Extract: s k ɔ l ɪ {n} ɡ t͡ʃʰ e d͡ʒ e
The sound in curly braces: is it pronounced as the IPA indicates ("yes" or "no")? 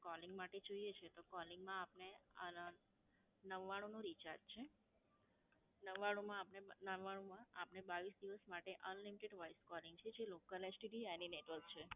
no